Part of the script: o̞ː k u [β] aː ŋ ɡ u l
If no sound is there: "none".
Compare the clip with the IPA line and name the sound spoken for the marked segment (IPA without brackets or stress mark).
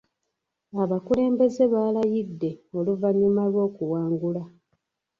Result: w